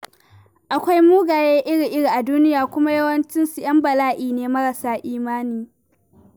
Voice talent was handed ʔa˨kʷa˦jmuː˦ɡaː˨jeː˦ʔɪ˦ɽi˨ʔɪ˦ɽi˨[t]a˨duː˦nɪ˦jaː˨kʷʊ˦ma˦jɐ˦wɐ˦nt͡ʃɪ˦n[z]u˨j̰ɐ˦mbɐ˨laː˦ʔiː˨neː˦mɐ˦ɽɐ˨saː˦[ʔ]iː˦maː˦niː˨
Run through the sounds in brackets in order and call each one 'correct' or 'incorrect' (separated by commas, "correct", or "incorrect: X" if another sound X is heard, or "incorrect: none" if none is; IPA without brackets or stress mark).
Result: incorrect: ʔ, incorrect: s, correct